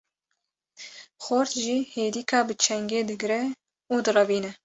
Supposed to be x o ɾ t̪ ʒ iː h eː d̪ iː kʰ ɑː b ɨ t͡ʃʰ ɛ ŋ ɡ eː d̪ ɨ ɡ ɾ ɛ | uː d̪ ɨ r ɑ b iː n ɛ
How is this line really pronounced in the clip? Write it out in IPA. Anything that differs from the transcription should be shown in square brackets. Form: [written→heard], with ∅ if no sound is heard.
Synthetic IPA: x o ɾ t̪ ʒ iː h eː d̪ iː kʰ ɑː b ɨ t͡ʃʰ ɛ ŋ ɡ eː d̪ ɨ ɡ ɾ ɛ | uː d̪ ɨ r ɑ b iː n ɛ

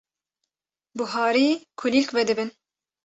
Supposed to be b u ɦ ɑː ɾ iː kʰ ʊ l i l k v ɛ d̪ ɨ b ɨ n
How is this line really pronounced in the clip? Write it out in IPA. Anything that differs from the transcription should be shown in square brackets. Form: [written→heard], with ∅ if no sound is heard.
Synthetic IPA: b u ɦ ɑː ɾ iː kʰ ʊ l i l k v ɛ d̪ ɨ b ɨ n

